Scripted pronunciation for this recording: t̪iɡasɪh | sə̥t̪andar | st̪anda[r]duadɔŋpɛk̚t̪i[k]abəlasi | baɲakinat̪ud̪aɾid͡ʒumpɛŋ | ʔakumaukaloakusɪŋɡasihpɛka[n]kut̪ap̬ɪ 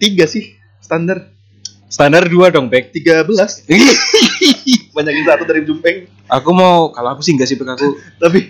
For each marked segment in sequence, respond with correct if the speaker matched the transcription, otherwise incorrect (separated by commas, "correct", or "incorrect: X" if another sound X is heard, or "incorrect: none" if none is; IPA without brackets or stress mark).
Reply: correct, incorrect: ɡ, incorrect: none